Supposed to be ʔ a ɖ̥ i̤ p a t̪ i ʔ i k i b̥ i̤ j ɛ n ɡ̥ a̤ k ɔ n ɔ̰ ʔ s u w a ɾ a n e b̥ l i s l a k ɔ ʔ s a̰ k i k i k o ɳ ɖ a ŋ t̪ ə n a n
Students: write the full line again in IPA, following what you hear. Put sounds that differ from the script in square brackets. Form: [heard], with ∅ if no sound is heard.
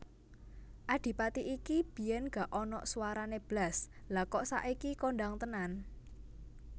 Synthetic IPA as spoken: ʔ a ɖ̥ i̤ p a t̪ i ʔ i k i b̥ i̤ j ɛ n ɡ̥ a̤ [ʔ] ɔ n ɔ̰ ʔ s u w a ɾ a n e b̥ l [a] s l a k ɔ ʔ s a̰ [ʔ] i k i k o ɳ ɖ a ŋ t̪ ə n a n